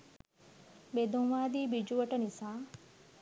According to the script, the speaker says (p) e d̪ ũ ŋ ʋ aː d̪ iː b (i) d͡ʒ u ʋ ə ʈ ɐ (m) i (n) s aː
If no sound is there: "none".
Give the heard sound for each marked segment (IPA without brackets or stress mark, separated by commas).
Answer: b, i, n, none